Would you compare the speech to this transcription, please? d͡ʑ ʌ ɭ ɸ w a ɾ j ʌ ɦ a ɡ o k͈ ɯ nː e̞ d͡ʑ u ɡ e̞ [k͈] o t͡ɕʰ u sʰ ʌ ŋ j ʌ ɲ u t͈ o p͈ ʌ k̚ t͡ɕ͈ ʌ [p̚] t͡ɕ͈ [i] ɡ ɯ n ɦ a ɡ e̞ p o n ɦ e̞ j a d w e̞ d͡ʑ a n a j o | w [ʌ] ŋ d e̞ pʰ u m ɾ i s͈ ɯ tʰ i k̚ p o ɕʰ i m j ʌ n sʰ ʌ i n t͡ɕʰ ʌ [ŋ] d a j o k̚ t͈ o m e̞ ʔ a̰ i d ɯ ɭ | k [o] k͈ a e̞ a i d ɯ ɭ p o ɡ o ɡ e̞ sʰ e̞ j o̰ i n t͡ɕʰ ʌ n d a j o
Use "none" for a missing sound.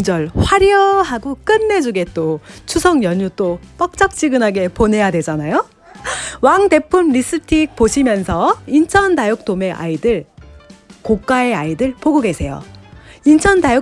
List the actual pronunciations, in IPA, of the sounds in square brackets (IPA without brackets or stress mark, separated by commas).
t͈, k̚, i, a, n, o